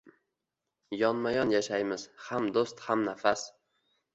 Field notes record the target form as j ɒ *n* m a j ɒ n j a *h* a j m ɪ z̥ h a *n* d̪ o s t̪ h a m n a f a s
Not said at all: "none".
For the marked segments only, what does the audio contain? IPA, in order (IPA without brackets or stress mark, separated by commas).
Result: n, ʃ, m